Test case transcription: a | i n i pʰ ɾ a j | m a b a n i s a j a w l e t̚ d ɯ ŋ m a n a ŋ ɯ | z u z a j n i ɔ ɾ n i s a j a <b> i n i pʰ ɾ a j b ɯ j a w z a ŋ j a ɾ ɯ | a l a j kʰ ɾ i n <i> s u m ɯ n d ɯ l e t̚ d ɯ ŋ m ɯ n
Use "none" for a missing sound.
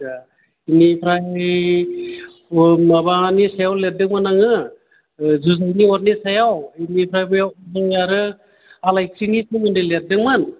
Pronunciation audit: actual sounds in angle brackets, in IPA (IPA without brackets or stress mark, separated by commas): w, i